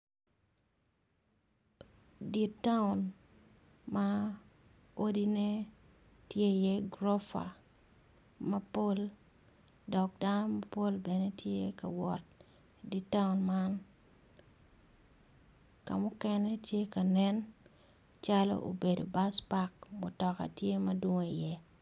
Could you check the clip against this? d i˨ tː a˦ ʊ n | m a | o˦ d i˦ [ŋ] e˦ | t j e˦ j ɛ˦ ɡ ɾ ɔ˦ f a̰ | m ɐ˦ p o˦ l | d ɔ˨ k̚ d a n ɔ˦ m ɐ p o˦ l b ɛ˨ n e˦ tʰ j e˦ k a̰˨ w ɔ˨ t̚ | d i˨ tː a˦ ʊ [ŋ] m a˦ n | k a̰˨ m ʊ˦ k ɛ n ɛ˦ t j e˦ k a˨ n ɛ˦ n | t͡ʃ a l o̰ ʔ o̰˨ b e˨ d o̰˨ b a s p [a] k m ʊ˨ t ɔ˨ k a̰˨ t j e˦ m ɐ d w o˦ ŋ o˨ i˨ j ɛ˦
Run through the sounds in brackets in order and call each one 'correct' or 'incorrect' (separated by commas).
incorrect, incorrect, correct